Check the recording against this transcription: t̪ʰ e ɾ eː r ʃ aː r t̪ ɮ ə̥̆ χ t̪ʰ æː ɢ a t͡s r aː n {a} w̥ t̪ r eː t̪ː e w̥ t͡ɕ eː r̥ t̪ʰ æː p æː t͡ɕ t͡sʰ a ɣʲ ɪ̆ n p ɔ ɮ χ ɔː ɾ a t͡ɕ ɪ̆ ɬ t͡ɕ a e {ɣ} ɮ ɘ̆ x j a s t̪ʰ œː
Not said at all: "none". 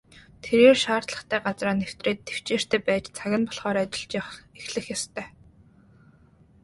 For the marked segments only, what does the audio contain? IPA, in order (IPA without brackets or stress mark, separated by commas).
e, x